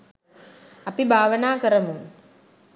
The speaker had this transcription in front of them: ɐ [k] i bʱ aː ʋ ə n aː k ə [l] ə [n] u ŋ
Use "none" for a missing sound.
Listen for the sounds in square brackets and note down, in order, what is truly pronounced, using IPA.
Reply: p, ɾ, m

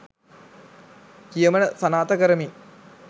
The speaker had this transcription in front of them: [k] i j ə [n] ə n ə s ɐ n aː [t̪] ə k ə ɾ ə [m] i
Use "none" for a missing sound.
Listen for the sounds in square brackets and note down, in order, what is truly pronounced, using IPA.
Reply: k, m, t̪, m

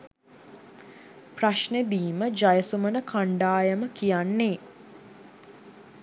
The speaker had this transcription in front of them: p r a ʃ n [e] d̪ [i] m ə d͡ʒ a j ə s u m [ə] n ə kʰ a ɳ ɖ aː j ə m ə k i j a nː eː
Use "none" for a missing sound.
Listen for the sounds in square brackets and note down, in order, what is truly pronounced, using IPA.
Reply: e, iː, ə

